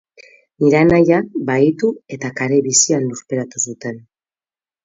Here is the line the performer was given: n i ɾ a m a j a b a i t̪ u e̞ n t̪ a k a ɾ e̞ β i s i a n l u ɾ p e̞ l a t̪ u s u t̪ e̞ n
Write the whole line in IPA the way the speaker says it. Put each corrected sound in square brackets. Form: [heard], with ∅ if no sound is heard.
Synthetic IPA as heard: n i ɾ a [n] a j a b a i t̪ u e̞ [∅] t̪ a k a ɾ e̞ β i s i a n l u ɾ p e̞ [ɾ] a t̪ u s u t̪ e̞ n